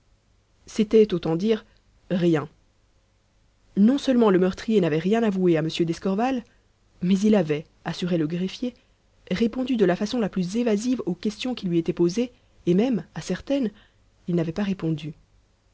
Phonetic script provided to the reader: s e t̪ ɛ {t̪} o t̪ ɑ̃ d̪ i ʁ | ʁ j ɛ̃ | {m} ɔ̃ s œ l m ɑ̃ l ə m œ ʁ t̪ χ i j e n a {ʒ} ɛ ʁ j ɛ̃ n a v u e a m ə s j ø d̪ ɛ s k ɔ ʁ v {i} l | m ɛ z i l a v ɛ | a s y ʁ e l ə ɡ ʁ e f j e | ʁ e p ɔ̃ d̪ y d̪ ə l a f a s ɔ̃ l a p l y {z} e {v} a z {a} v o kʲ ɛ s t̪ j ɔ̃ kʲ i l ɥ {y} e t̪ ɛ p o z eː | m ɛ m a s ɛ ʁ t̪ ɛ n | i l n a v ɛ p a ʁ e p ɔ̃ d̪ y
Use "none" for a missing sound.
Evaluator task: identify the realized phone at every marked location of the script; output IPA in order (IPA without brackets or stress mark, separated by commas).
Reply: t̪, n, v, a, z, v, i, i